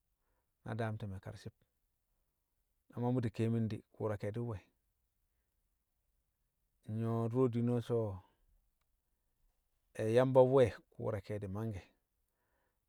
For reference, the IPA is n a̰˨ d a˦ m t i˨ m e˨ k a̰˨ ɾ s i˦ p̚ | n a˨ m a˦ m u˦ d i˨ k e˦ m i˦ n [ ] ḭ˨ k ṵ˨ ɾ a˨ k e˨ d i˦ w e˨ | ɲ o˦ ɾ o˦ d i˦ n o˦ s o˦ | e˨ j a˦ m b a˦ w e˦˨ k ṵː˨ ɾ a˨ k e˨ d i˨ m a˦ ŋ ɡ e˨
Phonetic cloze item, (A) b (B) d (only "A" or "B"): B